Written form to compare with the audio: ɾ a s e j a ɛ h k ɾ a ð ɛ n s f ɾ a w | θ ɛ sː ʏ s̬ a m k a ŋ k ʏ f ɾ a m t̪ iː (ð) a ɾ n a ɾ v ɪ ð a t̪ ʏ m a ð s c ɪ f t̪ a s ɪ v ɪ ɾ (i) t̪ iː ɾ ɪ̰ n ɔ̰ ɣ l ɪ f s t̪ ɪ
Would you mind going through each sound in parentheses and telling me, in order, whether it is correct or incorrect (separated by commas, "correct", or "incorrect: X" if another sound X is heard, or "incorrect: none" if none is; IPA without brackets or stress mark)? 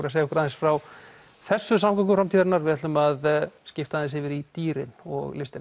correct, correct